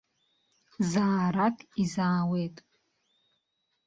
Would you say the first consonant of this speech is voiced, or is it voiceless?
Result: voiced